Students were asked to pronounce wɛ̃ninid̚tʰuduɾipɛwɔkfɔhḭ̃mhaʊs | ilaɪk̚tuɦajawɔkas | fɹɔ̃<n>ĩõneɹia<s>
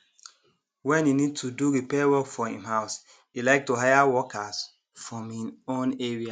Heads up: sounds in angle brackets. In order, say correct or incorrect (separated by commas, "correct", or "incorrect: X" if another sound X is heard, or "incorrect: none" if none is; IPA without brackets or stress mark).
incorrect: m, incorrect: none